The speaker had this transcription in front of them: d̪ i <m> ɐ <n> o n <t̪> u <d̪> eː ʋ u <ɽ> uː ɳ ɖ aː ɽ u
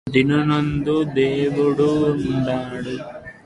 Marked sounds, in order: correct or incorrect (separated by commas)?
incorrect, correct, incorrect, correct, correct